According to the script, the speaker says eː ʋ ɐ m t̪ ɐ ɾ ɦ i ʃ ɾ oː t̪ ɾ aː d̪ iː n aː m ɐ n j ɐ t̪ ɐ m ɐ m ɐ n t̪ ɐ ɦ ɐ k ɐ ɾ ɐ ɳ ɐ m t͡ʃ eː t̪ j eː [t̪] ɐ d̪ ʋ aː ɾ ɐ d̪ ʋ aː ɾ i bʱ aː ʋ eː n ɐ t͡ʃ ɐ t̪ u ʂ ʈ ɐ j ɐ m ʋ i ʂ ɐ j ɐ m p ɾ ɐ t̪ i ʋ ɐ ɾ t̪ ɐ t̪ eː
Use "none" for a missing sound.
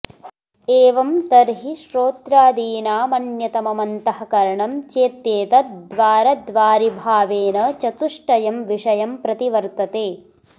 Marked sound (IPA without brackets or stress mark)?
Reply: t̪